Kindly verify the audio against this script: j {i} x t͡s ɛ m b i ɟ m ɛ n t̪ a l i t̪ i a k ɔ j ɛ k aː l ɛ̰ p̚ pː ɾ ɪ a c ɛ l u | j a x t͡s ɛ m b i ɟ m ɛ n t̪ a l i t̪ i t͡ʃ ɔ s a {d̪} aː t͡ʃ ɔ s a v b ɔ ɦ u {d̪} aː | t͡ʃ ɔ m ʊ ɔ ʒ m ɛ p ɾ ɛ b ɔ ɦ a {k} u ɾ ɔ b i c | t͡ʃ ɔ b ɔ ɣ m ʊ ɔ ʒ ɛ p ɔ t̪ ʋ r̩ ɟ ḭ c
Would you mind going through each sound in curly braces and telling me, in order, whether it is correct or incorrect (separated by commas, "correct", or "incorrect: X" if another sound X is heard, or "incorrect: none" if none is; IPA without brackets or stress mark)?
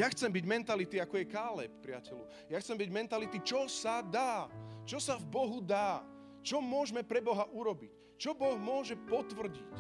incorrect: a, correct, correct, incorrect: ʔ